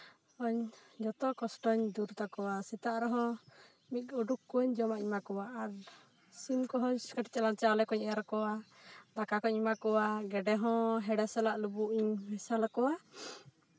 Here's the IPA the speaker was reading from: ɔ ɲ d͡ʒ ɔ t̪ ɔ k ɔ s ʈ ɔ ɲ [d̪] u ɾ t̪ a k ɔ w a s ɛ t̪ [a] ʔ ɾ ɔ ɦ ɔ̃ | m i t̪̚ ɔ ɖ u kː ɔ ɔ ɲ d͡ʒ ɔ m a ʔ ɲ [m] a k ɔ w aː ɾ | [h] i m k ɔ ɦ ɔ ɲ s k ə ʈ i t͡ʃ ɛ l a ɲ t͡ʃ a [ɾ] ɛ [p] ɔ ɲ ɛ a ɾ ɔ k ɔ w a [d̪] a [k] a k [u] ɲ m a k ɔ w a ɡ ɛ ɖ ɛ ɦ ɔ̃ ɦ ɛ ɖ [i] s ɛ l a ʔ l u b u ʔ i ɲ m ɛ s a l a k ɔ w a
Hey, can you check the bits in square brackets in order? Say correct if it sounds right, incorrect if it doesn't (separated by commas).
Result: correct, correct, correct, incorrect, incorrect, incorrect, correct, correct, incorrect, incorrect